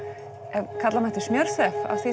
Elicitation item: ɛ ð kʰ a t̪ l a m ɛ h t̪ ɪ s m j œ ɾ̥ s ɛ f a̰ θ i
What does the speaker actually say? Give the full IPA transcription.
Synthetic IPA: ɛ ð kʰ a t̪ l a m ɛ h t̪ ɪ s m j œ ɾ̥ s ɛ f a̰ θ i

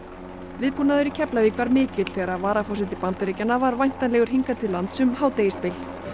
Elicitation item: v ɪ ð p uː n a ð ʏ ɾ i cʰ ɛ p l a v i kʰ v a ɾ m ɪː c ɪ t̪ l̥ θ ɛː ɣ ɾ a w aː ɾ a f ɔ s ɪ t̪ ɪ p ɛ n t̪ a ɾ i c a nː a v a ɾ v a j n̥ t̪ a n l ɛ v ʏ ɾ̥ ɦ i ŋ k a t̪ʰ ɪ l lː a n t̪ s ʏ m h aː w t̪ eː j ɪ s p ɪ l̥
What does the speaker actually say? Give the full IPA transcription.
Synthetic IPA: v ɪ ð p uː n a ð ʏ ɾ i cʰ ɛ p l a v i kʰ v a ɾ m ɪː c ɪ t̪ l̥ θ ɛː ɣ ɾ a v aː ɾ a f ɔ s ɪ t̪ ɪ p a n t̪ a ɾ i c a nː a v a ɾ v a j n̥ t̪ a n l ɛ ɣ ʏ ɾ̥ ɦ i ŋ k a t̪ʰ ɪ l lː a n t̪ s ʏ m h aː w t̪ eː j ɪ s p ɪ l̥

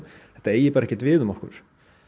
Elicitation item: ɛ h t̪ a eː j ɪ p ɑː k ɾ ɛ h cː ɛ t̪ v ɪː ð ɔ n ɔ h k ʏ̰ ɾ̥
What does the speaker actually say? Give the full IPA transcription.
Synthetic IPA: ɛ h t̪ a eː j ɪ p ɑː ɾ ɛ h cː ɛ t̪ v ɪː ð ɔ m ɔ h k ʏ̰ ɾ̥

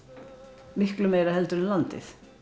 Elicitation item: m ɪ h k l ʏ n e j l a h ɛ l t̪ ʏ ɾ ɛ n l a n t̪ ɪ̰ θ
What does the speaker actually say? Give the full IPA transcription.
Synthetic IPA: m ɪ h k l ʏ m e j ɾ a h ɛ l t̪ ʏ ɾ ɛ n l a n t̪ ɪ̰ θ

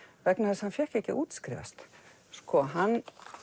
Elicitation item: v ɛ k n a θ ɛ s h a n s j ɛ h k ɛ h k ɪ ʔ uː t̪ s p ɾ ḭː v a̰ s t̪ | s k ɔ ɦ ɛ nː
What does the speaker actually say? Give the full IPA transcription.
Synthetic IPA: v ɛ k n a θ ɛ s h a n f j ɛ h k ɛ h c ɪ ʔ uː t̪ s k ɾ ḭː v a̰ s t̪ | s k ɔ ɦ a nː

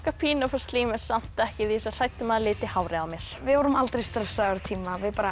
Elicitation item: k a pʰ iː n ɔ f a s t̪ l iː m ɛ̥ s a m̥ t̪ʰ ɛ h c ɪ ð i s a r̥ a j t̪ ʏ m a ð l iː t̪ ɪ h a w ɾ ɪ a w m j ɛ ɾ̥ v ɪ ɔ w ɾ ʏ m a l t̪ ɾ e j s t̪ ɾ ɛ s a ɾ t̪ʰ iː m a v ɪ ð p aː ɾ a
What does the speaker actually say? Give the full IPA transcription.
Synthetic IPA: k a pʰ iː n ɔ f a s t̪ l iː m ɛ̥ s a m̥ t̪ ɛ h c ɪ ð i s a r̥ a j t̪ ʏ m a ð l ɪː t̪ ɪ h a w ɾ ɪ a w m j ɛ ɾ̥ v ɪ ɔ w ɾ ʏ m a l t̪ ɾ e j s t̪ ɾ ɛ s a ɾ t̪ʰ iː m a v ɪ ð p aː ɾ a

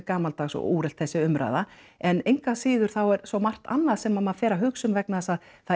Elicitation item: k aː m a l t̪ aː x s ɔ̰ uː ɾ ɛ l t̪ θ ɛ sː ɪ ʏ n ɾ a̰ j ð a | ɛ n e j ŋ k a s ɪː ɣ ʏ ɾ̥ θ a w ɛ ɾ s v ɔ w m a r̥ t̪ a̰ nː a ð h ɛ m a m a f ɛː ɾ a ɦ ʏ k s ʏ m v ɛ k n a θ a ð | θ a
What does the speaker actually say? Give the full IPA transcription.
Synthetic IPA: k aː m a l t̪ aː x s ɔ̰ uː ɾ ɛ l t̪ θ ɛ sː ɪ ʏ m ɾ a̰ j ð a | ɛ n e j ŋ k a s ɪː ð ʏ ɾ̥ θ a w ɛ ɾ s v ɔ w m a r̥ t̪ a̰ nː a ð s ɛ m a m a f ɛː ɾ a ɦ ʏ k s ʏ m v ɛ k n a s a ð | θ a

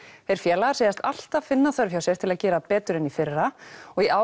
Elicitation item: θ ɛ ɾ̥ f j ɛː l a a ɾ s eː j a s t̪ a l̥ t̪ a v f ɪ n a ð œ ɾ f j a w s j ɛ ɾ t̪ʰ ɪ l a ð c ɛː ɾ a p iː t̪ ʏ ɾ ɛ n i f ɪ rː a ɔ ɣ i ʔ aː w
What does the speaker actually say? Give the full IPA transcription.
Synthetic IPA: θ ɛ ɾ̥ f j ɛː l a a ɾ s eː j a s t̪ a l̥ t̪ a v f ɪ nː a θ œ ɾ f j a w s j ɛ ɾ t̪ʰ ɪ l a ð c ɛː ɾ a p ɛː t̪ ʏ ɾ ɛ n i f ɪ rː a ɔ ɣ i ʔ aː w

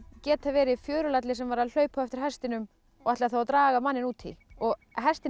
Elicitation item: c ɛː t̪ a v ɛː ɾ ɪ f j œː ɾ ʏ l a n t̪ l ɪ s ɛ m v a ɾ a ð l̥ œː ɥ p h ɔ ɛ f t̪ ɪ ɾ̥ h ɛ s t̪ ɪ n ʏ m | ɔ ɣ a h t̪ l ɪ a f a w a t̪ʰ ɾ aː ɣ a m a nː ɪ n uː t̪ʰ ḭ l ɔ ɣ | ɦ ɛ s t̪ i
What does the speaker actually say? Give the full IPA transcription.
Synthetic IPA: c ɛː t̪ a v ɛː ɾ ɪ f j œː ɾ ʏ l a t̪ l ɪ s ɛ m v a ɾ a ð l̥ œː ɥ p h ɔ ɛ f t̪ ɪ ɾ̥ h ɛ s t̪ ɪ n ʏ m | ɔ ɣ a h t̪ l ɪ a θ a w a t̪ ɾ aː ɣ a m a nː ɪ n uː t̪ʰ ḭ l ɔ ɣ | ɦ ɛ s t̪ ɪ

